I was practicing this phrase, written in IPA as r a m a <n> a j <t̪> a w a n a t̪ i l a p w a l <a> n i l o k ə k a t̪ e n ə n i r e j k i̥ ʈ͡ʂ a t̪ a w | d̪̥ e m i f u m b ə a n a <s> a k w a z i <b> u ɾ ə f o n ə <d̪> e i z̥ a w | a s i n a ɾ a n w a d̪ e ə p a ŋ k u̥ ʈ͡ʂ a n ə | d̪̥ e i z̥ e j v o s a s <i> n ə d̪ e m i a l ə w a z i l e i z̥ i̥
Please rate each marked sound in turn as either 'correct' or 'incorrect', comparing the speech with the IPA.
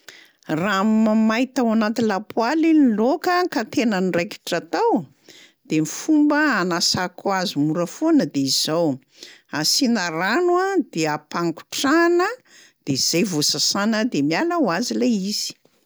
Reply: incorrect: m, correct, incorrect: i, correct, incorrect: m, correct, incorrect: a

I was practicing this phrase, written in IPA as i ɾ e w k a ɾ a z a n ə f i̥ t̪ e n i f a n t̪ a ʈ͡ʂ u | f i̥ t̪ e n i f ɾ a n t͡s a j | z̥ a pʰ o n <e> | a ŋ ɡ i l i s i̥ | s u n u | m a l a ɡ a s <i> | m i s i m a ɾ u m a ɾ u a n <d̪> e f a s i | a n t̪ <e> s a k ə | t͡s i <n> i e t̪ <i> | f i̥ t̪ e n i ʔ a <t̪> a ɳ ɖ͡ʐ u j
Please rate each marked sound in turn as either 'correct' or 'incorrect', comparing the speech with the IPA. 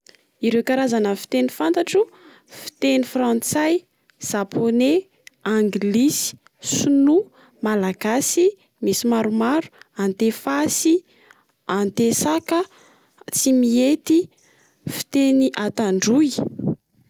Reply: correct, correct, incorrect: t̪, correct, incorrect: m, correct, correct

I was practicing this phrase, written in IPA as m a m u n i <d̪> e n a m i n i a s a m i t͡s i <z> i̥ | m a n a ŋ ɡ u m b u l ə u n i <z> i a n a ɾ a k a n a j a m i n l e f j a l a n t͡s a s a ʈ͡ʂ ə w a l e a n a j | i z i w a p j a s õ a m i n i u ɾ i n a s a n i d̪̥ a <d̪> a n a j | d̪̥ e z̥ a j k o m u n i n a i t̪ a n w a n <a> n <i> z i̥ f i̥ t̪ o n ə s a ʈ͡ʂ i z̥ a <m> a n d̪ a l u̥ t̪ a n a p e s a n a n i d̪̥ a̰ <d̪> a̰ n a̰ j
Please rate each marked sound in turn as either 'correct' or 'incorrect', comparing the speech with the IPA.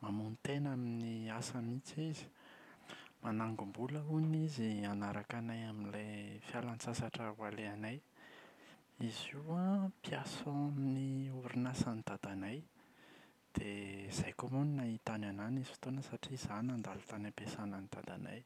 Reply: incorrect: t̪, correct, correct, correct, correct, correct, incorrect: n, correct

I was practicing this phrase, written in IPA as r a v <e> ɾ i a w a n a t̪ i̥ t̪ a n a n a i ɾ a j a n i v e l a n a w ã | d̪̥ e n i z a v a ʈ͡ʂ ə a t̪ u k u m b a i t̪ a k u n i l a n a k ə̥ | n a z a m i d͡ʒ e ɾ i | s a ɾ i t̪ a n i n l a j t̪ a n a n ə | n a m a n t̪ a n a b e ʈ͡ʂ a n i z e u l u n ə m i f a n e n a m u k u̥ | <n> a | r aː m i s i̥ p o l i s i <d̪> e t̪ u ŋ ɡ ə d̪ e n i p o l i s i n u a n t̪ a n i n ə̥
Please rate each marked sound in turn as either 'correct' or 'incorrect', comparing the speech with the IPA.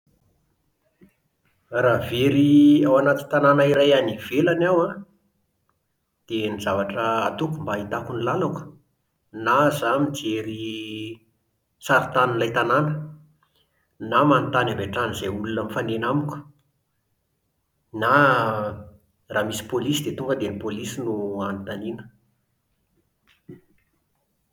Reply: correct, correct, correct

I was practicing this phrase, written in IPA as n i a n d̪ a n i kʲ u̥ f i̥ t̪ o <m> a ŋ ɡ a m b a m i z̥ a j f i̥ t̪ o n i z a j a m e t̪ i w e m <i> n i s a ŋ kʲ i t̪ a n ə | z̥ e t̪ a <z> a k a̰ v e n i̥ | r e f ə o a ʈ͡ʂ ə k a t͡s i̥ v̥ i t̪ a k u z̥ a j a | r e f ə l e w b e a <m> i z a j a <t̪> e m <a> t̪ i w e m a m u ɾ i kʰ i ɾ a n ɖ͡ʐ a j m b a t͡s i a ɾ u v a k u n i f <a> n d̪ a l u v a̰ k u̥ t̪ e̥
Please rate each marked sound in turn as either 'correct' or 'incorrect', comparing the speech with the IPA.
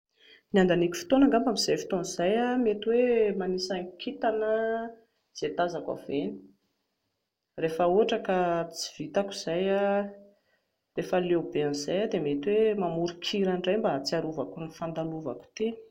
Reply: incorrect: n, incorrect: a, correct, incorrect: n, incorrect: d̪, incorrect: e, correct

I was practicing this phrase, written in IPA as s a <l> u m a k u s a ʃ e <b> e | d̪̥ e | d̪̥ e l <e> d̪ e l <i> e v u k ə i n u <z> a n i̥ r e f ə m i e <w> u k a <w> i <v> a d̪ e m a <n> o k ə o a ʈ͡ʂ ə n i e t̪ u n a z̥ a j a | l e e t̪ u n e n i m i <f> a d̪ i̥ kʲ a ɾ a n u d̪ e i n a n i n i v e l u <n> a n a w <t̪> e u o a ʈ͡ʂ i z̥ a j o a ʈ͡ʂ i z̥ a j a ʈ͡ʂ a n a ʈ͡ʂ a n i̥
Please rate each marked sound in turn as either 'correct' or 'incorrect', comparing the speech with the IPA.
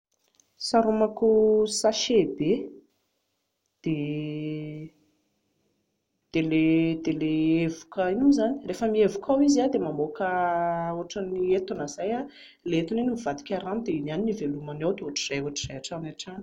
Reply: incorrect: ɾ, correct, correct, incorrect: e, correct, incorrect: v, correct, incorrect: z, incorrect: m, incorrect: v, incorrect: m, incorrect: d̪

